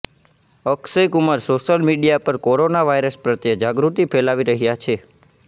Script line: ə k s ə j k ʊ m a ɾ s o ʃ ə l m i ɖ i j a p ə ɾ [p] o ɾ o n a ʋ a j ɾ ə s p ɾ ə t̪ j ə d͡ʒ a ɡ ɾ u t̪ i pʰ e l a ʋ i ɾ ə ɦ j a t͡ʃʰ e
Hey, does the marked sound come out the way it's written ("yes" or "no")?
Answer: no